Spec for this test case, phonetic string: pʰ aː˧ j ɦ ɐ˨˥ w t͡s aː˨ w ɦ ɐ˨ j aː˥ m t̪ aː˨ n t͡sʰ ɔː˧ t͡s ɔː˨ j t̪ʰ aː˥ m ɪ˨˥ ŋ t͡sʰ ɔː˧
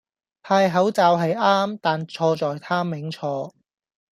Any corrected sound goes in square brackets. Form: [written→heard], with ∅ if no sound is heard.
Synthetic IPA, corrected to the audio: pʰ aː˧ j ɦ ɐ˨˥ w t͡s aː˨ w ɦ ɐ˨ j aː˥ m t̪ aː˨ n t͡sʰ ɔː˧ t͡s ɔː˨ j t̪ʰ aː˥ m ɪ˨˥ ŋ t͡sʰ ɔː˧